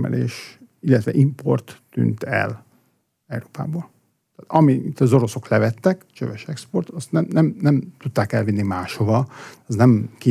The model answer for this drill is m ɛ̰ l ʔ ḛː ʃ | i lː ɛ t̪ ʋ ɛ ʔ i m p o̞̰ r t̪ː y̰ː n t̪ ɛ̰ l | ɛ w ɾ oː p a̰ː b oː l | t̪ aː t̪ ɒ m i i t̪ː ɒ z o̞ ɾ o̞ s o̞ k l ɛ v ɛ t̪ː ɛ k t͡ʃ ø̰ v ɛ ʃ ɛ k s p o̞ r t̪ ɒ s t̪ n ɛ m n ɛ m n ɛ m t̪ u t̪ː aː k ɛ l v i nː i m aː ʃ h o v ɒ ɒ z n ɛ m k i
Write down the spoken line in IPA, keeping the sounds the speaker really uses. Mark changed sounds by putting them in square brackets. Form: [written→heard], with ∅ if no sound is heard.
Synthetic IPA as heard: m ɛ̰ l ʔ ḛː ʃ | i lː ɛ t̪ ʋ ɛ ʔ i m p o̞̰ r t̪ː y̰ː n t̪ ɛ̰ l | ɛ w ɾ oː p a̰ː b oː l | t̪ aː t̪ ɒ m i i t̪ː ɒ z o̞ ɾ o̞ s o̞ k l ɛ v ɛ t̪ː ɛ k t͡ʃ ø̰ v ɛ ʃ ɛ k s p o̞ r t̪ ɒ s t̪ n ɛ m n ɛ m n ɛ m t̪ u t̪ː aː k ɛ l v i nː i m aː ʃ h o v ɒ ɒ z n ɛ m k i